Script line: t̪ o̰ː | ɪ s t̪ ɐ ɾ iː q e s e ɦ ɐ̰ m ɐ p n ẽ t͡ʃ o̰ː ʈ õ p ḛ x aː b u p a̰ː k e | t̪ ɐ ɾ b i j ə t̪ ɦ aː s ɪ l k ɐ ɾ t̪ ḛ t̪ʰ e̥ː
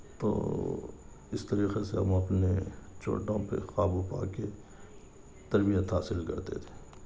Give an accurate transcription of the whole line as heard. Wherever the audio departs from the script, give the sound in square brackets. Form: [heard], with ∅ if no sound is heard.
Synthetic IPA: t̪ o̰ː | ɪ s t̪ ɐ ɾ iː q e s e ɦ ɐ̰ m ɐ p n [e] t͡ʃ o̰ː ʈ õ p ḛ x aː b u p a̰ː k e | t̪ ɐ ɾ b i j ə t̪ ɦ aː s ɪ l k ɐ ɾ t̪ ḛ t̪ʰ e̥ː